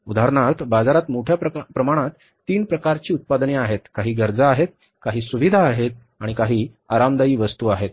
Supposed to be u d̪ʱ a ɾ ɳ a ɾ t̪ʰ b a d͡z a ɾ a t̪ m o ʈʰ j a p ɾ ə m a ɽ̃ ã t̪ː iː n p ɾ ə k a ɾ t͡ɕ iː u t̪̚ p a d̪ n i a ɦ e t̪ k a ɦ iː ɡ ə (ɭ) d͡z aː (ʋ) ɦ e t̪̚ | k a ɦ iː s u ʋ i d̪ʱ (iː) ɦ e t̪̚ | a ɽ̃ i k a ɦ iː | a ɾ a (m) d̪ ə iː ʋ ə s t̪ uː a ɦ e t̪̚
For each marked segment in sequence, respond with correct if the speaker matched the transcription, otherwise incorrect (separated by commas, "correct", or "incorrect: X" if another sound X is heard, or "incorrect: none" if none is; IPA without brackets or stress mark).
incorrect: ɾ, incorrect: none, incorrect: aː, correct